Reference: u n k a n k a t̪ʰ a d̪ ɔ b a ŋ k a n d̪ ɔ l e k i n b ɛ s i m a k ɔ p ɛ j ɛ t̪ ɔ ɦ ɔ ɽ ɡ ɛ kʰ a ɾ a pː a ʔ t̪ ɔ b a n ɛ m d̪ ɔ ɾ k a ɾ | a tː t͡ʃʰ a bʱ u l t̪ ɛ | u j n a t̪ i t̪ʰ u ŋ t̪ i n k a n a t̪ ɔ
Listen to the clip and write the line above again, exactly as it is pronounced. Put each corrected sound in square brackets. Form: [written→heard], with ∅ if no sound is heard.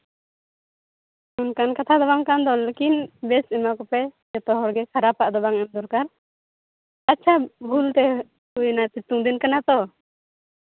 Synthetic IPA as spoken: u n k a n k a t̪ʰ a d̪ ɔ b a ŋ k a n d̪ ɔ l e k i n b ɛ s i m a k ɔ p ɛ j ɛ t̪ ɔ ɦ ɔ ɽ ɡ ɛ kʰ a ɾ a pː a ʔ [t̪→d̪] ɔ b a [n→ŋ] ɛ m d̪ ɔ ɾ k a ɾ | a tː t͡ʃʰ a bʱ u l t̪ ɛ | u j n a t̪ i [t̪ʰ→t̪] u ŋ [t̪→d̪] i n k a n a t̪ ɔ